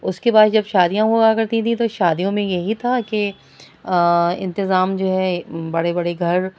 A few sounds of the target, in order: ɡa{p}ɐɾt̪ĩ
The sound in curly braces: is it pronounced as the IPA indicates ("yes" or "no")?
no